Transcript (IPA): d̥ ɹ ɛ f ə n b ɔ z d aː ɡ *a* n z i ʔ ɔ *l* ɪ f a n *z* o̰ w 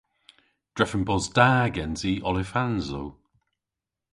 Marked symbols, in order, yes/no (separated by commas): no, yes, yes